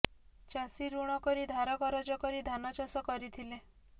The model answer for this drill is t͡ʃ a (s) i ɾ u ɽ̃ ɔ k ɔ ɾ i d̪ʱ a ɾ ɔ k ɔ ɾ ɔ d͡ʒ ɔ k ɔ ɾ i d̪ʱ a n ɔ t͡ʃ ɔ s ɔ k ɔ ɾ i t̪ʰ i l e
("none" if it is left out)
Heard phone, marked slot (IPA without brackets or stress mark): s